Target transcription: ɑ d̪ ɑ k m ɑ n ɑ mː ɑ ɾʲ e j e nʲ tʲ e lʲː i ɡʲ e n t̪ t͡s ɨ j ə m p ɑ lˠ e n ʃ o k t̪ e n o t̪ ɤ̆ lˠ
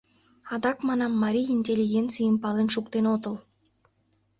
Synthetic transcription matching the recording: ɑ d̪ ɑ k m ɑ n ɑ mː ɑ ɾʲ i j i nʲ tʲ e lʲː i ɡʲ e n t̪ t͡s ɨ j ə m p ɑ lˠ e n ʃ u k t̪ e n o t̪ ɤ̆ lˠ

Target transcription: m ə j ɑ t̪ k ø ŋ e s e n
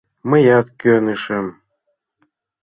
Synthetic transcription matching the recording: m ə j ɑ t̪ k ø n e ʃ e m

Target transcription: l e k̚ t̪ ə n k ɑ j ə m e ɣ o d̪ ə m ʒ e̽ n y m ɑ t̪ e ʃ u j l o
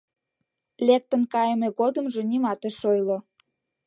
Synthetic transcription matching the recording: l e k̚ t̪ ə n k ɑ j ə m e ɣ o d̪ ə m ʒ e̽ n i m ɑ t̪ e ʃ o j l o

